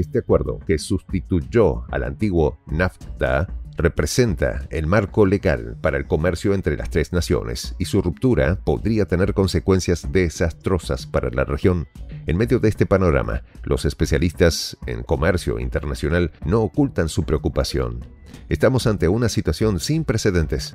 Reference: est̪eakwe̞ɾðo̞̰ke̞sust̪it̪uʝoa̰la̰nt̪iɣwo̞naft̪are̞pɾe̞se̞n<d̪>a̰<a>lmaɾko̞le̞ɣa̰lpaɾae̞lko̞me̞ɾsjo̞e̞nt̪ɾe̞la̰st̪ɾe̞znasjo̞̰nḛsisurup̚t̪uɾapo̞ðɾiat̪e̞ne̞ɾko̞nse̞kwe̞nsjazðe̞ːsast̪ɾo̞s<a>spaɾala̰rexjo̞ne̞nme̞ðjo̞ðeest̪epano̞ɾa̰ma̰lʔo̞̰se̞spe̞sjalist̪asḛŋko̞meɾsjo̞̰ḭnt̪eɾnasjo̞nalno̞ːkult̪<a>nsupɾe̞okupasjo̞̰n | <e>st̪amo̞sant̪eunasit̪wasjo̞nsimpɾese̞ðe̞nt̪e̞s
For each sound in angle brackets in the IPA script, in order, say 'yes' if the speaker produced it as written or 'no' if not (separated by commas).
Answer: no, no, yes, yes, yes